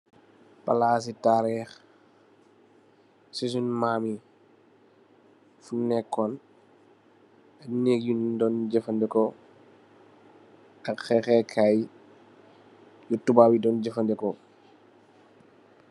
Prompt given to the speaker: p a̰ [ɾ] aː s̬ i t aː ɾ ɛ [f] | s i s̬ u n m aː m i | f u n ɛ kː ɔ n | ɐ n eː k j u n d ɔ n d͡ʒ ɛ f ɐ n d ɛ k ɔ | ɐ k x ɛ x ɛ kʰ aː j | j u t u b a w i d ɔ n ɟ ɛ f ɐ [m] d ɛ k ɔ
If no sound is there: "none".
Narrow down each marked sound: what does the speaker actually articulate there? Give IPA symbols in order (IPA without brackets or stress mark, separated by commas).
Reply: l, x, n